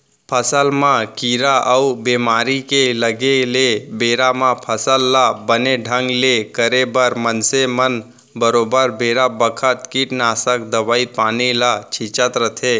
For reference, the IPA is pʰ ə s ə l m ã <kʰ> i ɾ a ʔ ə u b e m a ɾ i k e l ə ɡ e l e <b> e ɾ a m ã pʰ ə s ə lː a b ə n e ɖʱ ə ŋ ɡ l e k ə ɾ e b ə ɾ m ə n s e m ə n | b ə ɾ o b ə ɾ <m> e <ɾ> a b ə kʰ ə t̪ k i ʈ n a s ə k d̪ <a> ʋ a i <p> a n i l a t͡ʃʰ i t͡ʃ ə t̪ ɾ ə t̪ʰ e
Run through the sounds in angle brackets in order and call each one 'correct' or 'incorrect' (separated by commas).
incorrect, correct, incorrect, correct, incorrect, correct